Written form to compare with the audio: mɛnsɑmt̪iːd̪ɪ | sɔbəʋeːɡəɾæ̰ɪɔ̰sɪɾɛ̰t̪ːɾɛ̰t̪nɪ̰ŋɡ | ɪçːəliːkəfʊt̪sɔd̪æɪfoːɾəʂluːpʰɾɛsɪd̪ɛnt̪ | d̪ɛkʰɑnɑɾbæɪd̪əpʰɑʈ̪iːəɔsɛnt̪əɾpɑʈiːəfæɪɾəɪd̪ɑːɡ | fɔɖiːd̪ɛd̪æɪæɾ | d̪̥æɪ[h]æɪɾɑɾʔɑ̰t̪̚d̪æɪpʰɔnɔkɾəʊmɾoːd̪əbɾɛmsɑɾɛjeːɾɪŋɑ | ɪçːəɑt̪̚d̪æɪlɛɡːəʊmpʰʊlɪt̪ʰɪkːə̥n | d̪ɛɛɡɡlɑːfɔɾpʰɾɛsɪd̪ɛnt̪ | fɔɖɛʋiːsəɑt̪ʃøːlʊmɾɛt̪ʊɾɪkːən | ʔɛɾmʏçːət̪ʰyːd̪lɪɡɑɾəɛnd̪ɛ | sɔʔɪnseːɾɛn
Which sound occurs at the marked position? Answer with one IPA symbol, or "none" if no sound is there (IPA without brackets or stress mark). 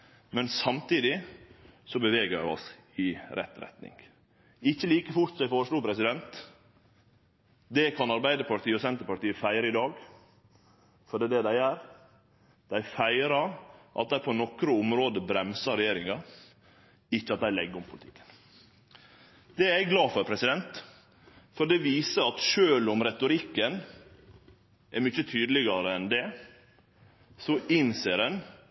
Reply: f